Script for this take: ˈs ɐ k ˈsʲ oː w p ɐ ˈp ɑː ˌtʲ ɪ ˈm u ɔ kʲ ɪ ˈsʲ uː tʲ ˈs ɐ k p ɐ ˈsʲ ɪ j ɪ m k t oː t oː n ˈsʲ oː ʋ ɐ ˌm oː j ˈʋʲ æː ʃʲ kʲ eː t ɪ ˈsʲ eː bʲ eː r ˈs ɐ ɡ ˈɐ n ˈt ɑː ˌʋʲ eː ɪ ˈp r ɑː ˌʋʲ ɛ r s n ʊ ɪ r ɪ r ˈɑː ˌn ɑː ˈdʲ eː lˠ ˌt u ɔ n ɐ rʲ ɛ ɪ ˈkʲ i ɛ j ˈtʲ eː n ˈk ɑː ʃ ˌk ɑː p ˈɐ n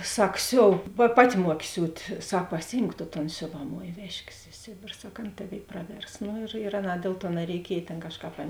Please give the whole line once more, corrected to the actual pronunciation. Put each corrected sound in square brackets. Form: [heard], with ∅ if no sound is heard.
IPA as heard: ˈs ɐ k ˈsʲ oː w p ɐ ˈp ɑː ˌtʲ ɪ ˈm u ɔ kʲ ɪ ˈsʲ uː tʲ ˈs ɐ k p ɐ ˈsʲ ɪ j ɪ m k t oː t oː n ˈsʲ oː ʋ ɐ ˌm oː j ˈʋʲ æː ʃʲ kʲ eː [s] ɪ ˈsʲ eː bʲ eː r ˈs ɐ [k] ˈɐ n ˈt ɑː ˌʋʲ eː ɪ ˈp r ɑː ˌʋʲ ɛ r s n ʊ ɪ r ɪ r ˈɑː ˌn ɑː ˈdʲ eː lˠ ˌt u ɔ n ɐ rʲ ɛ ɪ ˈkʲ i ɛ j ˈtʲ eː n ˈk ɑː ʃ ˌk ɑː p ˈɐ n